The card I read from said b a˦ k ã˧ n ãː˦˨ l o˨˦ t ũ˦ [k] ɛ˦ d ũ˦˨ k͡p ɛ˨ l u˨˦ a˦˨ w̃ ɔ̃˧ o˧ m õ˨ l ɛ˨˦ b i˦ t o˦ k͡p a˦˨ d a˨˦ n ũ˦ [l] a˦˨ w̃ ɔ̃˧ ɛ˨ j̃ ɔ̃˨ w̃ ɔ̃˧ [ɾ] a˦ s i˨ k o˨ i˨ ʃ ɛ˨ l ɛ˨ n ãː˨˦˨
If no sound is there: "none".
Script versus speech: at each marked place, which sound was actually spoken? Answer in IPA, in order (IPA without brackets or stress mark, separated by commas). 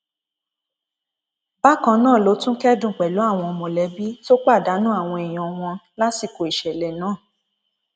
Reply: k, none, l